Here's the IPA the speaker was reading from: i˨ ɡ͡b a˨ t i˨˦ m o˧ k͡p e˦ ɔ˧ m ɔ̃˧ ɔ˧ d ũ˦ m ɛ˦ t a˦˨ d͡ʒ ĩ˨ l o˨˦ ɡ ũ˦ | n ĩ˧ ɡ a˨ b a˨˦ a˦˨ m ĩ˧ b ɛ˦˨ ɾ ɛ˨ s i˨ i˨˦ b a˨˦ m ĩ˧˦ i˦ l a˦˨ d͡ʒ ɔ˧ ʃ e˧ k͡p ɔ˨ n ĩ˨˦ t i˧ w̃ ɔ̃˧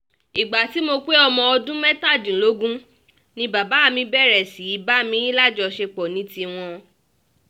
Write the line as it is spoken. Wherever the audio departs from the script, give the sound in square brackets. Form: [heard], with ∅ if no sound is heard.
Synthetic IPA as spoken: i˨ ɡ͡b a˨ t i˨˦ m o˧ k͡p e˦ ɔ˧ m ɔ̃˧ ɔ˧ d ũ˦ m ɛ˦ t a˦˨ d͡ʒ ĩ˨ l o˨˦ ɡ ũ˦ | n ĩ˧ [b] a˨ b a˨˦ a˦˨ m ĩ˧ b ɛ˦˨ ɾ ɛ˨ s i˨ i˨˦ b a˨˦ m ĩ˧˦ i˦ l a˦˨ d͡ʒ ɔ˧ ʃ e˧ k͡p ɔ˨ n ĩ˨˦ t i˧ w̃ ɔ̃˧